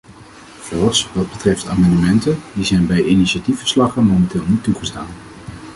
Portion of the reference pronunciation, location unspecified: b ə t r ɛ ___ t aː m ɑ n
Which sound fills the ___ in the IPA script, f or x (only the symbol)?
f